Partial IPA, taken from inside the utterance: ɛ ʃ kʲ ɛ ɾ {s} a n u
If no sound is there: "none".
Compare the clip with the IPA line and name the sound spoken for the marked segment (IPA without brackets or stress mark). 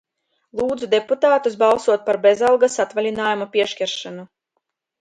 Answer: ʃ